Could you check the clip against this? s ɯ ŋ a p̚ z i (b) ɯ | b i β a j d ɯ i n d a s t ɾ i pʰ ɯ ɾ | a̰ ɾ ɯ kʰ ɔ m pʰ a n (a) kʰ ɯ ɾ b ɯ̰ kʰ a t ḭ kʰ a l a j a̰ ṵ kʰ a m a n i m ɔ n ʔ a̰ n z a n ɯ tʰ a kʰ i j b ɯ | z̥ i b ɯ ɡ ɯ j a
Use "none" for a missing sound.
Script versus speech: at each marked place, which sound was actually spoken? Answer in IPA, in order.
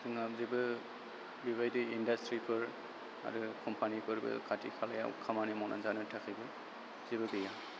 b, i

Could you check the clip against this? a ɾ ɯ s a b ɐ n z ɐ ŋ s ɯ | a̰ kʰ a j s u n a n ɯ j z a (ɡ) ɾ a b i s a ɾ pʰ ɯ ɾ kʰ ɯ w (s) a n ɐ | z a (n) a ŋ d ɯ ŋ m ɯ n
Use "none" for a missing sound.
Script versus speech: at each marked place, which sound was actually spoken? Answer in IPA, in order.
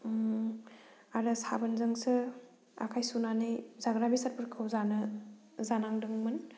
ɡ, z, n

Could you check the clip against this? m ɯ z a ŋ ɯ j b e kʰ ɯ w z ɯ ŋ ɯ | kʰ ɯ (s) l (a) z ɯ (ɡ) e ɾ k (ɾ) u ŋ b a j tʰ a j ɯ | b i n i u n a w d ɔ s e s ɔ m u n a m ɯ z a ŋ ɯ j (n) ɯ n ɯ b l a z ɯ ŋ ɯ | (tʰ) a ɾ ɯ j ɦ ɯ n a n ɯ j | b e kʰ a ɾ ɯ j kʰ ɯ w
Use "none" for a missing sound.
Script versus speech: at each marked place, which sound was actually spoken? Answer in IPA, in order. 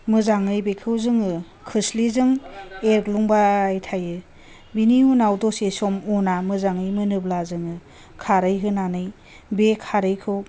s, i, ŋ, l, m, kʰ

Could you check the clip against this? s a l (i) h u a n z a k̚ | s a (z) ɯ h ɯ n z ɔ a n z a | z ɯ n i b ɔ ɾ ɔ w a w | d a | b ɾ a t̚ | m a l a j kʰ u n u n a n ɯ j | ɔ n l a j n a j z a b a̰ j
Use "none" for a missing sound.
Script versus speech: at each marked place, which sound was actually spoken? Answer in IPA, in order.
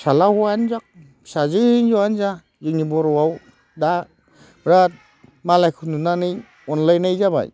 a, z

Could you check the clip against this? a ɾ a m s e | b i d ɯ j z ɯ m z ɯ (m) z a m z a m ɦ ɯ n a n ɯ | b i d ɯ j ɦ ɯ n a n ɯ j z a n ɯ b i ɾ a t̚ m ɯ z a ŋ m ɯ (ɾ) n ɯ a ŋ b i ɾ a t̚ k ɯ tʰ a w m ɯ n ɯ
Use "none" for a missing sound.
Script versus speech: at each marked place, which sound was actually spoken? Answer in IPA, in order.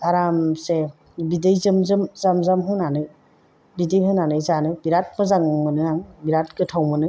m, none

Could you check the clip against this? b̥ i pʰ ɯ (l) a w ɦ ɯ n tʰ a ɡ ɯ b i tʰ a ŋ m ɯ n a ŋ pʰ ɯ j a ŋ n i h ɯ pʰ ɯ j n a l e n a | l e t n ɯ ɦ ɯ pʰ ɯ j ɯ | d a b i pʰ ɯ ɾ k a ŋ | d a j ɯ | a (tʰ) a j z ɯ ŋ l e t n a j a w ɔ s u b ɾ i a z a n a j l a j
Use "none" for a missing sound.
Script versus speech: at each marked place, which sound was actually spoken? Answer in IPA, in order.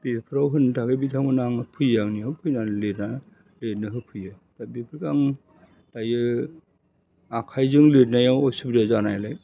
ɾ, kʰ

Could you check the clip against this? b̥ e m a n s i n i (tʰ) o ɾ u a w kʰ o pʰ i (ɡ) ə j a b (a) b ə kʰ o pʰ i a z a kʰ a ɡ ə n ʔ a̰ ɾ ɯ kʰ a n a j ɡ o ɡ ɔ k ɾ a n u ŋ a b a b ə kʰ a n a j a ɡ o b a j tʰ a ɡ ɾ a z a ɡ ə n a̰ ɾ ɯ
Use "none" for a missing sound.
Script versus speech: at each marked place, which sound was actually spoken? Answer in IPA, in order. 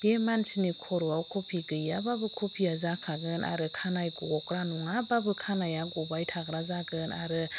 kʰ, ɡ, a

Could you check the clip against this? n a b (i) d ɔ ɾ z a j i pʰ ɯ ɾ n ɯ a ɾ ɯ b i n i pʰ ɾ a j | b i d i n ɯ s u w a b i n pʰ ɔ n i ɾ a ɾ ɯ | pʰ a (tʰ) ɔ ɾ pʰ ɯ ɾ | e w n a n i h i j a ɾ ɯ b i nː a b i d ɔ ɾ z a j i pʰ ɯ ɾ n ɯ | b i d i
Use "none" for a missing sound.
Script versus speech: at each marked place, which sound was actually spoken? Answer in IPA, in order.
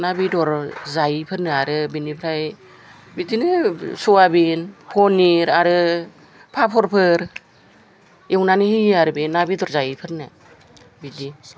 i, pʰ

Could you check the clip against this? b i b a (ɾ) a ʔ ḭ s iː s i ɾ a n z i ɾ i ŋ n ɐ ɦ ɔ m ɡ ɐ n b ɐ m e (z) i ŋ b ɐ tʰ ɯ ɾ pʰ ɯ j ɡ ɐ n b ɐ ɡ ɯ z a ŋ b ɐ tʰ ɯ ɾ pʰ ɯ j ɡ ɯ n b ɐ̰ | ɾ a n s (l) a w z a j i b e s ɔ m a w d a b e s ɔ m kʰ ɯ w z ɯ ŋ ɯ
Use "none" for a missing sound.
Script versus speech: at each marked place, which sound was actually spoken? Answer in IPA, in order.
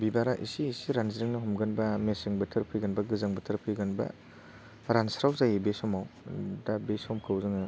ɾ, s, ɾ

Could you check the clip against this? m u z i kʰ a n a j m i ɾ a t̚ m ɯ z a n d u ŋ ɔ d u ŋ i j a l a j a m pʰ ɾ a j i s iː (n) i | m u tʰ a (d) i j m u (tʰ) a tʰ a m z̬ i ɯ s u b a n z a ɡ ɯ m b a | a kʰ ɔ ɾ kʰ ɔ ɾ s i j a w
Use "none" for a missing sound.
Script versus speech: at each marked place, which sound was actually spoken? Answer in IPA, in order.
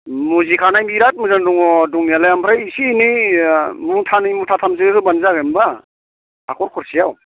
n, n, tʰ

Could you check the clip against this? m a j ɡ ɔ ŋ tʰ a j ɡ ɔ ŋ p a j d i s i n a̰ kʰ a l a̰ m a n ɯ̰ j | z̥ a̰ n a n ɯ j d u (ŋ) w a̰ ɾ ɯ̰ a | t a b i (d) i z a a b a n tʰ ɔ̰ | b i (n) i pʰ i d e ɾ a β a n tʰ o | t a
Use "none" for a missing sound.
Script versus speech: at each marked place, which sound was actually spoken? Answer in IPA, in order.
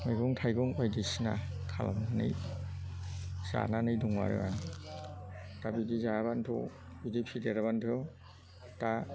ŋ, d, d

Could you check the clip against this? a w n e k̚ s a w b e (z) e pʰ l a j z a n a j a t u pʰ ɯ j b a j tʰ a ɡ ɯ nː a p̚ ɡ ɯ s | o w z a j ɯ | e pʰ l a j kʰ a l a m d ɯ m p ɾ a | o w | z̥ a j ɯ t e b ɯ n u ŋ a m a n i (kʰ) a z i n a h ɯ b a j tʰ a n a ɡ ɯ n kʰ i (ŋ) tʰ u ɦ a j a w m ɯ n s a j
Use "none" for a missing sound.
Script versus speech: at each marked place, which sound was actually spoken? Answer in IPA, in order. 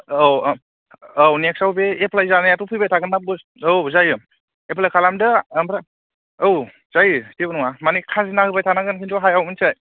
none, kʰ, n

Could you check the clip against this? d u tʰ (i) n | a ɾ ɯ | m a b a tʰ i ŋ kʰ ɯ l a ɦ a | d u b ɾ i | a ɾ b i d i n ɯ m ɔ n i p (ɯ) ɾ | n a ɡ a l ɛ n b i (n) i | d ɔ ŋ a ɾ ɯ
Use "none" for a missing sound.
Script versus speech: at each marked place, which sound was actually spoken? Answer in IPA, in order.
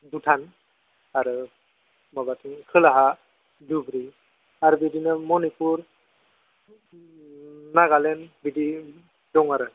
a, u, d

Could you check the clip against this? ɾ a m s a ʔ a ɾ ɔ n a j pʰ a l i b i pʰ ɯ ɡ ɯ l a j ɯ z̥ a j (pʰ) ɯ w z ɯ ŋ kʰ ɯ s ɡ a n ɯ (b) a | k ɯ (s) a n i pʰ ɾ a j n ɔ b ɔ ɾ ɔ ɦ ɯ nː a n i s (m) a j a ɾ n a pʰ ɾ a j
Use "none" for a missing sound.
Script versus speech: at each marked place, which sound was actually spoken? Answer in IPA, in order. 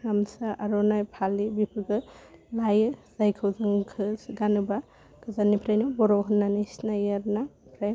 kʰ, b, z, n

